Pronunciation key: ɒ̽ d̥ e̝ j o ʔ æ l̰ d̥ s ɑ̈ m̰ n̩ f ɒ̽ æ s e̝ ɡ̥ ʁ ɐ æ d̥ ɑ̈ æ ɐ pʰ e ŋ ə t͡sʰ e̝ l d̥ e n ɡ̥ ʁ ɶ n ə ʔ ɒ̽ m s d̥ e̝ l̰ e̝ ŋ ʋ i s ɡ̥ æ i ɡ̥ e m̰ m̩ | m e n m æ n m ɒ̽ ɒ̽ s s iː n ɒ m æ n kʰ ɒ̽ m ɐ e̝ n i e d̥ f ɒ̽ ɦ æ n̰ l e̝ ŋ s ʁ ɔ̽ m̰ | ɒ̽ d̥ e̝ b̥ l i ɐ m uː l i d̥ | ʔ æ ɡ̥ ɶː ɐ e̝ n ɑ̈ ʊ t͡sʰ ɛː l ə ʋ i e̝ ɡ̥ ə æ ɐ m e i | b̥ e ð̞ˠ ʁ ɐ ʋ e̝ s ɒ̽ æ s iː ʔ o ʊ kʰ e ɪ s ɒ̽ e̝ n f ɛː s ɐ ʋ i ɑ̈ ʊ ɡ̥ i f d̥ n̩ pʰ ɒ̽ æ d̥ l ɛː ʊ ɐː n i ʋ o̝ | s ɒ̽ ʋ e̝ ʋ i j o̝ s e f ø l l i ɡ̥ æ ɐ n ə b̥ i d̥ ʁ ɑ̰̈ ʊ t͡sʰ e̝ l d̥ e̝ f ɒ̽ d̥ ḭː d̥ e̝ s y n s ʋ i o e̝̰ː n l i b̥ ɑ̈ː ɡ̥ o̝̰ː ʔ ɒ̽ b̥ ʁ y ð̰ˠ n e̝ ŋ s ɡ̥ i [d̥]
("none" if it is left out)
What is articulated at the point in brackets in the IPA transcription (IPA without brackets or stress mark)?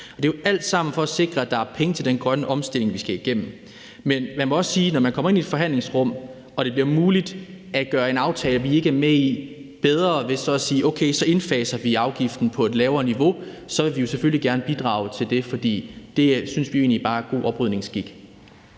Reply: ɡ̥